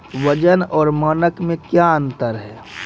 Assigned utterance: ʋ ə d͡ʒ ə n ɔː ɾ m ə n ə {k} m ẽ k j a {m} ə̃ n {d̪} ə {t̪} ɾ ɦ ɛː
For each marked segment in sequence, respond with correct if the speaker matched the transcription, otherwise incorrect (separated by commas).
correct, incorrect, incorrect, incorrect